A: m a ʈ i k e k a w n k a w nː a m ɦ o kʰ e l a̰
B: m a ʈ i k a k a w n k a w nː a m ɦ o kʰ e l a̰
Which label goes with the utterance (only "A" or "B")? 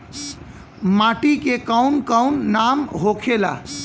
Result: A